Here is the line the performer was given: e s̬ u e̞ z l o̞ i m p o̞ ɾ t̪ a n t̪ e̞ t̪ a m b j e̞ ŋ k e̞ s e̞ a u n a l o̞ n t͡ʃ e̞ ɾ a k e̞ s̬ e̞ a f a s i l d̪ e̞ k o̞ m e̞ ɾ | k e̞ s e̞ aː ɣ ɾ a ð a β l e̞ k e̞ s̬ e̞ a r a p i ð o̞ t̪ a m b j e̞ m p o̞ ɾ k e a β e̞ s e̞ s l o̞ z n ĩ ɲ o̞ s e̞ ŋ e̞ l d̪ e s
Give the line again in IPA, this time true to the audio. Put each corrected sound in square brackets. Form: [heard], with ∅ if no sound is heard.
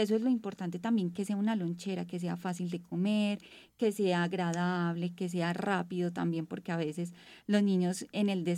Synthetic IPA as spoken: e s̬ [o] e̞ z l o̞ i m p o̞ ɾ t̪ a n t̪ e̞ t̪ a m b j e̞ ŋ k e̞ s e̞ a u n a l o̞ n t͡ʃ e̞ ɾ a k e̞ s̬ e̞ a f a s i l d̪ e̞ k o̞ m e̞ ɾ | k e̞ s e̞ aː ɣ ɾ a ð a β l e̞ k e̞ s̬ e̞ a r a p i ð o̞ t̪ a m b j e̞ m p o̞ ɾ k e a β e̞ s e̞ s l o̞ z n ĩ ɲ o̞ s e̞ [n] e̞ l d̪ e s